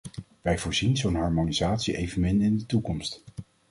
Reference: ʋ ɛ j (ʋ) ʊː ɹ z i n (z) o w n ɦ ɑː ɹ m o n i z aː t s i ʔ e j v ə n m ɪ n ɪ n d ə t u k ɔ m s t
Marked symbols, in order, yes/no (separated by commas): no, yes